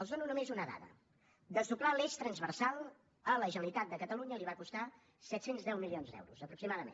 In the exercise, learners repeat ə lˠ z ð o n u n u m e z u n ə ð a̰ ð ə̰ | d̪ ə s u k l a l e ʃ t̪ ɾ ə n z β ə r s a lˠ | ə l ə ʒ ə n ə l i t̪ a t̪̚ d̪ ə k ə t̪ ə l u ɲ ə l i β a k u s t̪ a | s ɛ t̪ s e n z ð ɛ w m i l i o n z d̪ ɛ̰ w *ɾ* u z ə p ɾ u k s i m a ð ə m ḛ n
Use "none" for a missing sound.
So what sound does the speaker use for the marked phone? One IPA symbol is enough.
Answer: ɾ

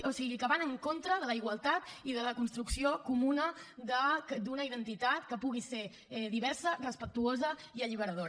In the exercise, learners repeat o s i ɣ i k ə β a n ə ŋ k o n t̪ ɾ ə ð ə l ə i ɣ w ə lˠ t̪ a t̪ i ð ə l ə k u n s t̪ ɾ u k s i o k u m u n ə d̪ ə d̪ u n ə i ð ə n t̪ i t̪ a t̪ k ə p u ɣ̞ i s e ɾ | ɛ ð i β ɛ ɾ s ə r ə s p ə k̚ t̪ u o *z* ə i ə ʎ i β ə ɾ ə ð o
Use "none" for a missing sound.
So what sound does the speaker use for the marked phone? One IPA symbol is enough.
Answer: z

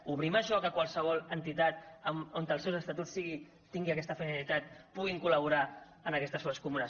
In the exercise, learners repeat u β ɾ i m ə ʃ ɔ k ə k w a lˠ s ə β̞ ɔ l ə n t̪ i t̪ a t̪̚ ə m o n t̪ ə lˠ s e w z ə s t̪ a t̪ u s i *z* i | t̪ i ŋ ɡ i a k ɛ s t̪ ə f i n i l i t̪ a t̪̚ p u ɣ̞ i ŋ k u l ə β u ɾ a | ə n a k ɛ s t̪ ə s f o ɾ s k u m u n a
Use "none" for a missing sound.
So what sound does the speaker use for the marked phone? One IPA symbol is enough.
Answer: ɣ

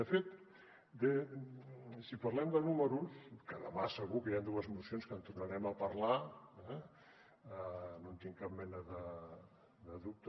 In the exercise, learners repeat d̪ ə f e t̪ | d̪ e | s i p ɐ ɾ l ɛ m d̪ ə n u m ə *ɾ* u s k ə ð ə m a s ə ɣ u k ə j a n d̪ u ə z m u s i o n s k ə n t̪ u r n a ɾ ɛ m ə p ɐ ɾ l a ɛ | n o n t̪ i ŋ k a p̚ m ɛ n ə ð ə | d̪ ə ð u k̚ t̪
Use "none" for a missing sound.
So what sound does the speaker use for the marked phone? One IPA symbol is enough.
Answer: ɾ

